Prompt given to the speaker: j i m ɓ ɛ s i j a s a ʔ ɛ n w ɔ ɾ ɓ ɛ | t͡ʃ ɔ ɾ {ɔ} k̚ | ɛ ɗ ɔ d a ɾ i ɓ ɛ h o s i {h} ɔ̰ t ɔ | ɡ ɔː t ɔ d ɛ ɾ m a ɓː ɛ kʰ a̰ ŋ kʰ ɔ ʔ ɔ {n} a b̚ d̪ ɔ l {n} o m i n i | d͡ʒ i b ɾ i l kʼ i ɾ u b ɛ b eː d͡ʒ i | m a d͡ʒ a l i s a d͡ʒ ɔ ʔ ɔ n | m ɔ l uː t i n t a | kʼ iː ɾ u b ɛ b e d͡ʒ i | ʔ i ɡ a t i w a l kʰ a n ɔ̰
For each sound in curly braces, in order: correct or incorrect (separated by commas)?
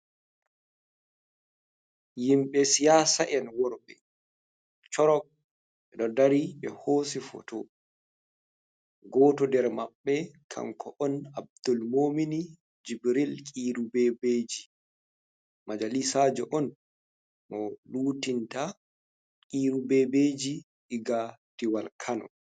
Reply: correct, incorrect, correct, incorrect